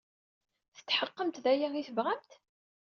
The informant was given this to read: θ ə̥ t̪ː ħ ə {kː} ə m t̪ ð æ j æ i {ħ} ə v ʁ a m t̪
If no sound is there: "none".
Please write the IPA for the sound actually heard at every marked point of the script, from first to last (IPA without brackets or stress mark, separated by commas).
qː, θ